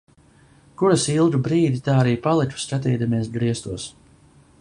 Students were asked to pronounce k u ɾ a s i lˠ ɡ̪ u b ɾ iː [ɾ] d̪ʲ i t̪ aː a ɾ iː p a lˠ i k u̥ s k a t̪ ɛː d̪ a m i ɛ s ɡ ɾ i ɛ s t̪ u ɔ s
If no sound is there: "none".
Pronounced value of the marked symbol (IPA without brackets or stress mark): none